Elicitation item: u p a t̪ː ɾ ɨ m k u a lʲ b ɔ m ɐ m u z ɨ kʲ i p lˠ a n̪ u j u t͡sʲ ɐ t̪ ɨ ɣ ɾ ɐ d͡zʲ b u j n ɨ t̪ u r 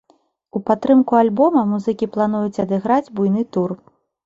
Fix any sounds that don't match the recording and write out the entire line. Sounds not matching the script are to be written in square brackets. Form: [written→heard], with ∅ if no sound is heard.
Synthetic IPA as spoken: u p a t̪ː ɾ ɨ m k u a lʲ b ɔ m ɐ m u z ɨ kʲ i p lˠ a n̪ u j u t͡sʲ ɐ [t̪→d̪] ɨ ɣ ɾ [ɐ→a] d͡zʲ b u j n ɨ t̪ u r